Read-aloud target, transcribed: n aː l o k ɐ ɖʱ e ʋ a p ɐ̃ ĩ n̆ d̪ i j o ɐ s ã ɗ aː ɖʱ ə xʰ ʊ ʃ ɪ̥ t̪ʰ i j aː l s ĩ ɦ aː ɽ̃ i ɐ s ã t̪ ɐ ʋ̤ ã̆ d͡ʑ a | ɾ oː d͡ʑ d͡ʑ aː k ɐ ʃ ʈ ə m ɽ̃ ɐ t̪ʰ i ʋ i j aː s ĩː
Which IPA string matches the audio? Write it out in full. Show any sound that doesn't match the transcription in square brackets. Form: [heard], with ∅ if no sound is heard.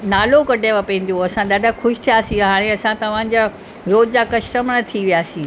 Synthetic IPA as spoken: n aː l o k ɐ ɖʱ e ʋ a p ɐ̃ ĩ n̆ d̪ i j o ɐ s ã ɗ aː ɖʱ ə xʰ ʊ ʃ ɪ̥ t̪ʰ i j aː [∅] s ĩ ɦ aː ɽ̃ [e] ɐ s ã t̪ ɐ ʋ̤ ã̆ d͡ʑ a | ɾ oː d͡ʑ d͡ʑ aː k ɐ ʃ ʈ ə m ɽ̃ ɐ t̪ʰ i ʋ i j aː s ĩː